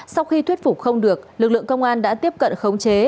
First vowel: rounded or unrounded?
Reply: unrounded